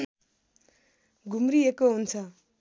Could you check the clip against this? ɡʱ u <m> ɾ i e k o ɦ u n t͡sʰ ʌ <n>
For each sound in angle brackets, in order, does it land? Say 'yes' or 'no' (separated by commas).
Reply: yes, no